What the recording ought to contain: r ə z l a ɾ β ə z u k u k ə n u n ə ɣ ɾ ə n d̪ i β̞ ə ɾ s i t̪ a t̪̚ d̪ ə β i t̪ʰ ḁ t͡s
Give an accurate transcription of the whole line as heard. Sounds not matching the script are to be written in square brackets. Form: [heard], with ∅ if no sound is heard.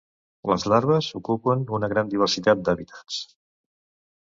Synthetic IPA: [l] ə z l a ɾ β ə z u k u [p] ə n u n ə ɣ ɾ [a] n d̪ i β̞ ə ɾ s i t̪ a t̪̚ d̪ ə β i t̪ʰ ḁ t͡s